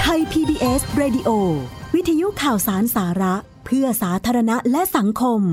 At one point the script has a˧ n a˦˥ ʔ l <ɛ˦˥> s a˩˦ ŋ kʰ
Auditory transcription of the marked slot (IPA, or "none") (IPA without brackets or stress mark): ɛ˦˥